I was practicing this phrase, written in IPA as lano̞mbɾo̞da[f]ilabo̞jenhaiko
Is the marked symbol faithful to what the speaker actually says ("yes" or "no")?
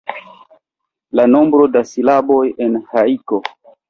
no